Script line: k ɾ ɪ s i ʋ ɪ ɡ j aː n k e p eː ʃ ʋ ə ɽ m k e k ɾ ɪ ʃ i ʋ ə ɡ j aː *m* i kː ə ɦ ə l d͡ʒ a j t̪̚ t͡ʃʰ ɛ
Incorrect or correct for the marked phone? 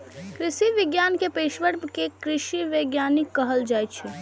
incorrect: n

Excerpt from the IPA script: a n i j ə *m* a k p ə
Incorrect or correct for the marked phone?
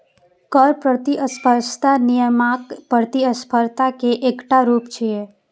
correct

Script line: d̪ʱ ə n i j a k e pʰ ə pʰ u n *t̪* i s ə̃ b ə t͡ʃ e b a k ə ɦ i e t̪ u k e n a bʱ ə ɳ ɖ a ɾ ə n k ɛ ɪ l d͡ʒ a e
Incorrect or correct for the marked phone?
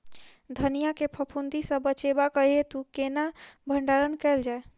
incorrect: d̪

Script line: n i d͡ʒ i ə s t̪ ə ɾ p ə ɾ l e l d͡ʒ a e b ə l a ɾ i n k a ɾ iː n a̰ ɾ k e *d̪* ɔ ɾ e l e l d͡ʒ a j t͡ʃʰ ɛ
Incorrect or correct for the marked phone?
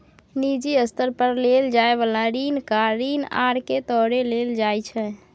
incorrect: t̪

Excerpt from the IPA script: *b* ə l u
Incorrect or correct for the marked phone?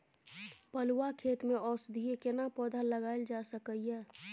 incorrect: p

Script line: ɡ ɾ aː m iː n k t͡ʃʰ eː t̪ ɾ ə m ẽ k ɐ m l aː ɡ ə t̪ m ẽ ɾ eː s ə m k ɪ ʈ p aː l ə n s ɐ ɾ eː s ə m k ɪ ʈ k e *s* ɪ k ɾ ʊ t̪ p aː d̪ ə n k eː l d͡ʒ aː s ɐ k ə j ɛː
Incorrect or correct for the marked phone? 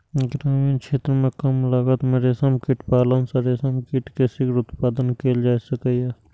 correct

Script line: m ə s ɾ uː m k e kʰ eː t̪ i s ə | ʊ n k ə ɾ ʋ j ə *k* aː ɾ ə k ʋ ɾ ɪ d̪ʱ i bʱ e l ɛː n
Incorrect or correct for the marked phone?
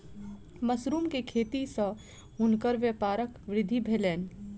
incorrect: p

